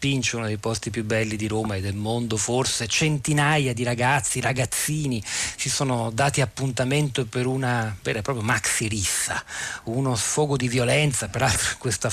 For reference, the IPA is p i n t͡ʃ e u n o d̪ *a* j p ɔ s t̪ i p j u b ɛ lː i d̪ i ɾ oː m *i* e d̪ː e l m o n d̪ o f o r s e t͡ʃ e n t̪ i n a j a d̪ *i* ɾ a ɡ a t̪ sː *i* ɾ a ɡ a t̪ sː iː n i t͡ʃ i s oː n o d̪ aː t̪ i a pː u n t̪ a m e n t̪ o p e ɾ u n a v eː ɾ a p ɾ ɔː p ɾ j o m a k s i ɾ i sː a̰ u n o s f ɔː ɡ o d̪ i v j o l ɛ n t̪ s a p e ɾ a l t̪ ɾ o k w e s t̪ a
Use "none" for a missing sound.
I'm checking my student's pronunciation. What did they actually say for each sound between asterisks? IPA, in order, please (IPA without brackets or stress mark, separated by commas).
e, a, i, i